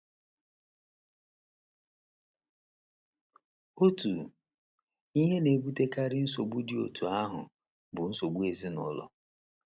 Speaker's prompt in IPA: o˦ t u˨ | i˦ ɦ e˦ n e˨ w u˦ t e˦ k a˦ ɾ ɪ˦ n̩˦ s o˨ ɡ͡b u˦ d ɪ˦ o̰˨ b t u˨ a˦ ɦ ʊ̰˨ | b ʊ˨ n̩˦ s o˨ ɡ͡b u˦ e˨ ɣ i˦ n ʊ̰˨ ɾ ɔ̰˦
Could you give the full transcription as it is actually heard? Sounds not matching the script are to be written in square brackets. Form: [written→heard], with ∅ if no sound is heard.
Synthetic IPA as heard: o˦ t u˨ | i˦ ɦ e˦ n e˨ [w→b] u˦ t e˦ k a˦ ɾ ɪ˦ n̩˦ s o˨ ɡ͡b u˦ d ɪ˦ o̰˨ [b→∅] t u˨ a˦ ɦ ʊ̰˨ | b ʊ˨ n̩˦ s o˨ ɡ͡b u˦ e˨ [ɣ→z] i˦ n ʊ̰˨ [ɾ→l] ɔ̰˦